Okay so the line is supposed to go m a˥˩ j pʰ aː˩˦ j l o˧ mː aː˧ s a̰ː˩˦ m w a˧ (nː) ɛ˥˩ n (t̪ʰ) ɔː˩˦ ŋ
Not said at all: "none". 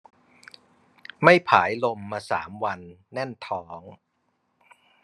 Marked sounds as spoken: nː, t̪ʰ

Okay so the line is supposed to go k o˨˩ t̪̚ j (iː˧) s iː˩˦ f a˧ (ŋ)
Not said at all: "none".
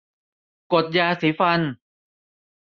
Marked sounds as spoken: aː˧, n

